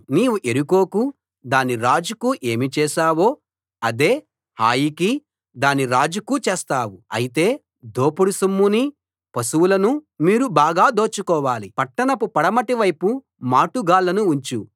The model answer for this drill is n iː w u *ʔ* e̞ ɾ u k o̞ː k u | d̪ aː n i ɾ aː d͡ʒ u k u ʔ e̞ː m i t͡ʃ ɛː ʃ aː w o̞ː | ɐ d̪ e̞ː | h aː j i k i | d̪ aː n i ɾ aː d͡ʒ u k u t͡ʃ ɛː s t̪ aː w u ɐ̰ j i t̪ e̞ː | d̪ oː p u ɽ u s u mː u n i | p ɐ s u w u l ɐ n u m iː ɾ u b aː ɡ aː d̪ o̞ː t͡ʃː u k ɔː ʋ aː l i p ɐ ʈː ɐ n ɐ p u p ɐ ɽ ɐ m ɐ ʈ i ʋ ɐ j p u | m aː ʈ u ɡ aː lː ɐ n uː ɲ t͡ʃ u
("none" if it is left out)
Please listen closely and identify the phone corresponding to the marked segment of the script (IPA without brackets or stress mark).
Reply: ʔ